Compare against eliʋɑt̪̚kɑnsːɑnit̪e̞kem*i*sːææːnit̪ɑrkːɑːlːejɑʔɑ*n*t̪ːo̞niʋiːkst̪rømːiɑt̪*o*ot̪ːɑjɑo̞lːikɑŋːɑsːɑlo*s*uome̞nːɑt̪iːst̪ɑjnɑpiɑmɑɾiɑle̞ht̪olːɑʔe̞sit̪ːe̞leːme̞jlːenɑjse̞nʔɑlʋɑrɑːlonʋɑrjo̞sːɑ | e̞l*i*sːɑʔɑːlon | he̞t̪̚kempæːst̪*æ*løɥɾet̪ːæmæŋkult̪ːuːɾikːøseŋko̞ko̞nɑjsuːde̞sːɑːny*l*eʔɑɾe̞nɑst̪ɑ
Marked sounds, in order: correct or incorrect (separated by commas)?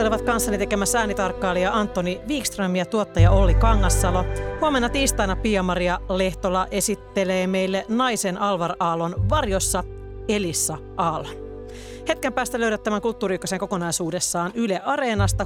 incorrect, correct, incorrect, incorrect, correct, correct, correct